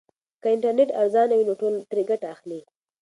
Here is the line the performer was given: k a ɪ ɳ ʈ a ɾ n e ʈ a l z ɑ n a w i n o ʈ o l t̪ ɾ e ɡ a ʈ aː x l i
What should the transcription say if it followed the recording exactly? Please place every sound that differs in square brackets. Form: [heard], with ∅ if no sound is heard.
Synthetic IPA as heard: k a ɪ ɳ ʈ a ɾ n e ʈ a [ɾ] z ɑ n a w i n o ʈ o l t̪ ɾ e ɡ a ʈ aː x l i